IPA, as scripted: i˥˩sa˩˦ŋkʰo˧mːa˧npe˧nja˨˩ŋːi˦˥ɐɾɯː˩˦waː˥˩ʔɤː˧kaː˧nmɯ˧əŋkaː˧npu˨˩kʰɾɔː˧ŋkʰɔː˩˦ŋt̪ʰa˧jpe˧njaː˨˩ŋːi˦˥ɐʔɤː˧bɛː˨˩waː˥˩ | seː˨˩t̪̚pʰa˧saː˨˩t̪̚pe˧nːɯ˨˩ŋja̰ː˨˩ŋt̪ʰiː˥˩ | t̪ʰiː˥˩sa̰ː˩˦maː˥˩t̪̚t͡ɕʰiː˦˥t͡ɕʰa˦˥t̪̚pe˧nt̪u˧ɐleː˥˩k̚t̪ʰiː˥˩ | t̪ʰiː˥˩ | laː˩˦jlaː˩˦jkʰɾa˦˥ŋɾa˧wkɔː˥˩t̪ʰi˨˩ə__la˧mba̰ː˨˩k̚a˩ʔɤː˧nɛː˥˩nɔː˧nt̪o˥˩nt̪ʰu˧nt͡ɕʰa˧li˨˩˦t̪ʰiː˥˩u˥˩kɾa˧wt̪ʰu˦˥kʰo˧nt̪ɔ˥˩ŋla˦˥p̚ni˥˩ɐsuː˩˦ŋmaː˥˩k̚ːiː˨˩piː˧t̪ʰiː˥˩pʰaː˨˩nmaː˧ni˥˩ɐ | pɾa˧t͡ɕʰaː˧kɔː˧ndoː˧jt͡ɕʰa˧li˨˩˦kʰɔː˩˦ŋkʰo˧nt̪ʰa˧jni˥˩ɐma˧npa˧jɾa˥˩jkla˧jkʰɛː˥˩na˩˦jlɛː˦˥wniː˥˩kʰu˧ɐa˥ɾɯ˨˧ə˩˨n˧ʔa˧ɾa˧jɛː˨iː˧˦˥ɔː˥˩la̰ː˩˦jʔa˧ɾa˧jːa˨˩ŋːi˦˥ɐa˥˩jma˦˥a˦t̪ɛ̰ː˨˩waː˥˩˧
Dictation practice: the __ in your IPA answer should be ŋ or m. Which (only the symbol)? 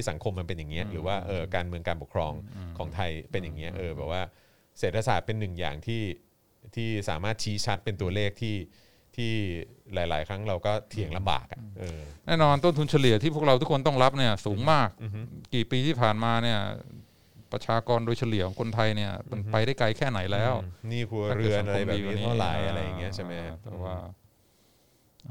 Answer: ŋ